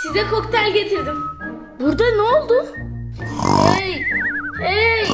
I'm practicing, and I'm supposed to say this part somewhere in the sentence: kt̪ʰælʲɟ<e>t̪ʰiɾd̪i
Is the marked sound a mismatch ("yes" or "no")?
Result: no